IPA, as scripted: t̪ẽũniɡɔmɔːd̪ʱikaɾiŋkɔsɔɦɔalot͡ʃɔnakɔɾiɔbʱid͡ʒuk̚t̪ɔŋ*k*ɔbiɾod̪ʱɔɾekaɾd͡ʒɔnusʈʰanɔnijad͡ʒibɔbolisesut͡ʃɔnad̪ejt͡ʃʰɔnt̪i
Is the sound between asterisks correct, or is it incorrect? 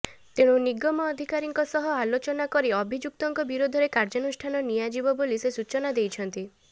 correct